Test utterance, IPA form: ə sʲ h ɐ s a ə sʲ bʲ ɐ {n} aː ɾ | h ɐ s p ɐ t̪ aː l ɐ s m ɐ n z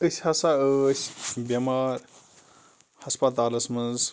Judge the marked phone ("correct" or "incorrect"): incorrect